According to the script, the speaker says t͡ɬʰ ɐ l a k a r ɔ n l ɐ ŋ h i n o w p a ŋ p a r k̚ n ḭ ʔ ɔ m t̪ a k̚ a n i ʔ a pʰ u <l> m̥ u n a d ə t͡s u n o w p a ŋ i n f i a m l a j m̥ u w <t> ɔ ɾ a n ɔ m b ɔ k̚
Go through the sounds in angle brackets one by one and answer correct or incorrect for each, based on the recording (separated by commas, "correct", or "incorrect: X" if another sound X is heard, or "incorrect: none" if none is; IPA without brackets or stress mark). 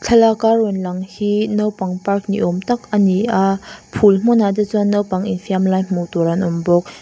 correct, correct